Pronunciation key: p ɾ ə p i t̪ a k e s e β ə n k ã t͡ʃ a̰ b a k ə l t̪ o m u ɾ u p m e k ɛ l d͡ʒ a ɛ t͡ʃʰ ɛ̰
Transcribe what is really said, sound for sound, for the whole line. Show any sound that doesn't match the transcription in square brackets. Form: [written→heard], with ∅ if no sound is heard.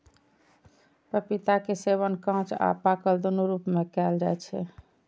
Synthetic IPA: p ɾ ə p i t̪ a k e s e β ə n k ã t͡ʃ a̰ [b→p] a k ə l [t̪→d̪] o [m→n] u ɾ u p m e k ɛ l d͡ʒ a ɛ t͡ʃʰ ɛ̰